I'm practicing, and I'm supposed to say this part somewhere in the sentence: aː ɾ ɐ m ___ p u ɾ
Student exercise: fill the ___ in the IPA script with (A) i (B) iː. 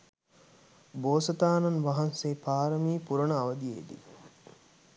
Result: B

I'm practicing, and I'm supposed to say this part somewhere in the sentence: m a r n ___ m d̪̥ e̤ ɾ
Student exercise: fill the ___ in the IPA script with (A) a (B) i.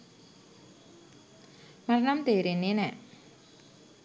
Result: A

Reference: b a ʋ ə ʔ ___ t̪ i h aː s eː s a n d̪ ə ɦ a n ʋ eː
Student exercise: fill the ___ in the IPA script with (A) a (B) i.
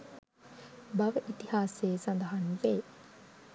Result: B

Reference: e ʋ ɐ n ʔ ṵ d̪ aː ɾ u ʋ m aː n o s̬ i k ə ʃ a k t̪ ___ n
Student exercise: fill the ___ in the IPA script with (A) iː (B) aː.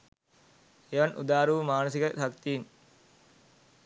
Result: A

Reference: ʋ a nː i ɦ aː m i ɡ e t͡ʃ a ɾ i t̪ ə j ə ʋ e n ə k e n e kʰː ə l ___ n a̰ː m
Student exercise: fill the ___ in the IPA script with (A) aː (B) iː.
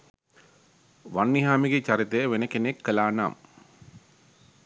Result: A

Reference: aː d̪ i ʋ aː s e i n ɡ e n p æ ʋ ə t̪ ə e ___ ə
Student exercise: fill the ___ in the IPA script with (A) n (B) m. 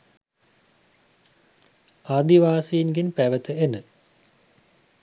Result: A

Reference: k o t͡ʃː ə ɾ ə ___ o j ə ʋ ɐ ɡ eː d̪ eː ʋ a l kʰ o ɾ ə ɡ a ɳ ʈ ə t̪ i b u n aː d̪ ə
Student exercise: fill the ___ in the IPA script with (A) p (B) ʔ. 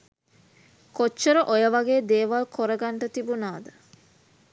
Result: B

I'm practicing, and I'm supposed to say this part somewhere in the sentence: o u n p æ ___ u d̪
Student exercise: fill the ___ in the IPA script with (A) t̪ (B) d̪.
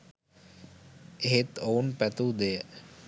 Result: A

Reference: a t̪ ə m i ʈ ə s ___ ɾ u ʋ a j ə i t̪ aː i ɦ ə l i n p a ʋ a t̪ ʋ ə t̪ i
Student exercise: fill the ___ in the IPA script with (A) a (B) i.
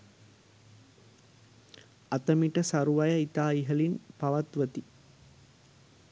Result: A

